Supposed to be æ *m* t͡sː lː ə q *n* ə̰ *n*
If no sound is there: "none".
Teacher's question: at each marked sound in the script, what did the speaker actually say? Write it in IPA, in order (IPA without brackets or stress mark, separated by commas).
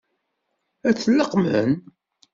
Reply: none, m, n